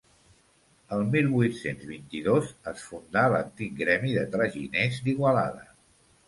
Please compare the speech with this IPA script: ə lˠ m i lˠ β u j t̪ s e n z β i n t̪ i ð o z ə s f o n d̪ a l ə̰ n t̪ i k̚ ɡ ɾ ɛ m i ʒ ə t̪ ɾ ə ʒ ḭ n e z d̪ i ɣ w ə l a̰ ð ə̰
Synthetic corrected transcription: ə lˠ m i lˠ β u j t̪ s e n z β i n t̪ i ð o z ə s f u n d̪ a l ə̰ n t̪ i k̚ ɡ ɾ ɛ m i ð ə t̪ ɾ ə ʒ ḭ n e z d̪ i ɣ w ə l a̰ ð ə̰